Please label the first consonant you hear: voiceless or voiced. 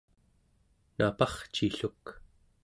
voiced